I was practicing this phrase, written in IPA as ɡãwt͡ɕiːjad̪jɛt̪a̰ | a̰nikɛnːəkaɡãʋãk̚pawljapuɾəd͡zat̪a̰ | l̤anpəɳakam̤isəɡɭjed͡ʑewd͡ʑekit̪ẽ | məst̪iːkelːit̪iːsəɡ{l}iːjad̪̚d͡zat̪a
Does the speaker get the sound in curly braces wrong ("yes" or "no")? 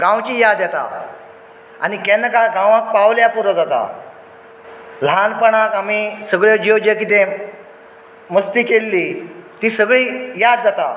yes